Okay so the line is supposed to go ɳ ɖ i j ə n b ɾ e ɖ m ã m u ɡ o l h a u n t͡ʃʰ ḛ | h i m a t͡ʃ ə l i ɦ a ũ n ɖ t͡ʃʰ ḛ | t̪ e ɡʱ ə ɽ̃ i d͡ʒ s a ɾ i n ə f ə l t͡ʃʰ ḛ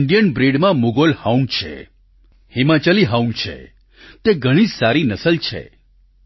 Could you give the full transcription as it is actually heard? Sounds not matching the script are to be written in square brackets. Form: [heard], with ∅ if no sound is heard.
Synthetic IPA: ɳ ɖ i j ə n b ɾ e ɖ m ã m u ɡ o l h a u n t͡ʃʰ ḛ | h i m a t͡ʃ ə l i ɦ a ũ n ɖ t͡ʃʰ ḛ | t̪ e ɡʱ ə ɽ̃ i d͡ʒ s a ɾ i n ə [s] ə l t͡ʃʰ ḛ